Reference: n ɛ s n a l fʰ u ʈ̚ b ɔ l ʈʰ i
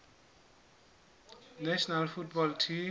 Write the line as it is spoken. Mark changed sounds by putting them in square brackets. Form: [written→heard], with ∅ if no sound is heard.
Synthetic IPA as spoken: n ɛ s n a l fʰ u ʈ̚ b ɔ l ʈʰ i